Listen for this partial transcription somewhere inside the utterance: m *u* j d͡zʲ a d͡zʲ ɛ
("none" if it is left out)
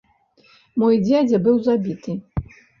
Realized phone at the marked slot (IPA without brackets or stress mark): ɔ